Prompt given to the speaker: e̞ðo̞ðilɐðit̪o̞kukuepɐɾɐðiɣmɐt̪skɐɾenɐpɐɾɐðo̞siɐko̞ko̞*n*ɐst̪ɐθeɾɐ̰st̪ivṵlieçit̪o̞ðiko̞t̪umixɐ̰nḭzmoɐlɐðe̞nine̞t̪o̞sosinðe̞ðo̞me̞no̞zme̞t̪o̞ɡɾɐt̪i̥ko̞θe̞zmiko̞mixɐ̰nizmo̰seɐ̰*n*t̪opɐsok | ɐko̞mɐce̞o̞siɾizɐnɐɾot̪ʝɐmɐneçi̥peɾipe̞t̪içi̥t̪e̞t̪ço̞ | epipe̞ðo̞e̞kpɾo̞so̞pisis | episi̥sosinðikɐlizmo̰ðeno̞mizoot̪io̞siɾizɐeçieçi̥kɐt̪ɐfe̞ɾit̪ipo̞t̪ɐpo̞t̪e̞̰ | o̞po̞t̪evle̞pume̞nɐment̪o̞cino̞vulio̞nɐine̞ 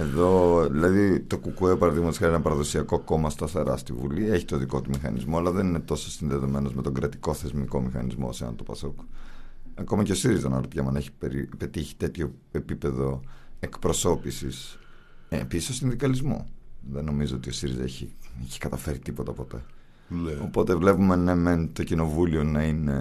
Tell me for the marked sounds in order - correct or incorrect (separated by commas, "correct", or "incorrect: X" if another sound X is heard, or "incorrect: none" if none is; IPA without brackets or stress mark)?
incorrect: m, correct